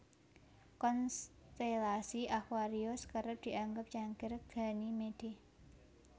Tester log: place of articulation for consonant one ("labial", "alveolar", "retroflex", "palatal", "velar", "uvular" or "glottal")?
velar